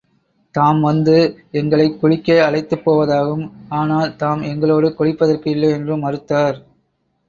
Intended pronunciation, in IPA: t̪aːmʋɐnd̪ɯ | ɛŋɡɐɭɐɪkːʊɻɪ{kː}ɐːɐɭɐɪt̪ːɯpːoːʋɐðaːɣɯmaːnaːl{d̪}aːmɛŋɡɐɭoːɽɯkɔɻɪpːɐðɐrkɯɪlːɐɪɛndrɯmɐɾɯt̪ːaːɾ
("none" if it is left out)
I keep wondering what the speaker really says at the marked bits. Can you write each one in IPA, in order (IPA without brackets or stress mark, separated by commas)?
kː, t̪